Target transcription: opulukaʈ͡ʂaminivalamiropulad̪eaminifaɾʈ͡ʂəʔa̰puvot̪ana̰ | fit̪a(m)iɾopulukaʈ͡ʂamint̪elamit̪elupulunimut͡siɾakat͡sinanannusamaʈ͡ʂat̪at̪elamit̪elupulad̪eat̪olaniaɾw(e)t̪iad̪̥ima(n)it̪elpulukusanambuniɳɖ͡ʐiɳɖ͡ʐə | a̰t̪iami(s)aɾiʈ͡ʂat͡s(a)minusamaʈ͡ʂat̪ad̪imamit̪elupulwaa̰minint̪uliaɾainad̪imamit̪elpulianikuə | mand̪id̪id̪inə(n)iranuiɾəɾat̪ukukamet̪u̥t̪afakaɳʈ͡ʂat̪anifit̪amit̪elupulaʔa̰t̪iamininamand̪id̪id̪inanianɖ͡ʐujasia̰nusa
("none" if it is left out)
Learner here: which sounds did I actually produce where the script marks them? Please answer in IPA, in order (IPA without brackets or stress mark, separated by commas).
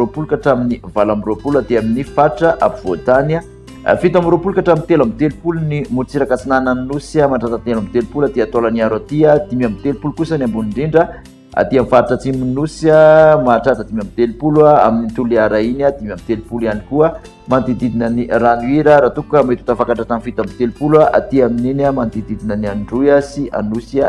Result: m, a, m, f, i, n